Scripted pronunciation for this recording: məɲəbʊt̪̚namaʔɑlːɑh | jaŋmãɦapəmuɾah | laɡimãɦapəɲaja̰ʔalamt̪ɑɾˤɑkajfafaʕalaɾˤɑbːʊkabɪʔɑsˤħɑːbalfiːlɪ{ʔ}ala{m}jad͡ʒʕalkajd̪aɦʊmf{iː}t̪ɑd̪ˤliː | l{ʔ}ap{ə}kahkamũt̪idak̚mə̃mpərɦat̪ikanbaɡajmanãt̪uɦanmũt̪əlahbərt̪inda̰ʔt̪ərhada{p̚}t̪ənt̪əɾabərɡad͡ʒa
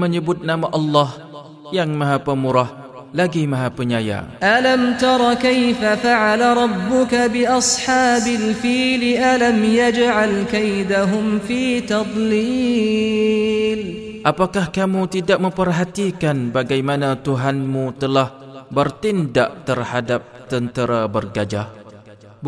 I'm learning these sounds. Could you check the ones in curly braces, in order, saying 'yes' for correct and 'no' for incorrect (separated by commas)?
yes, yes, yes, yes, no, yes